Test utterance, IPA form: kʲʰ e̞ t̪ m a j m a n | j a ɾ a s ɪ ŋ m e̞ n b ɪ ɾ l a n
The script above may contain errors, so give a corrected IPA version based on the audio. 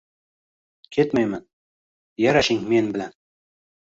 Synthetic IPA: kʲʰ e̞ t̪ m a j m a n | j a ɾ a ʃ ɪ ŋ m e̞ n b ɪ l a n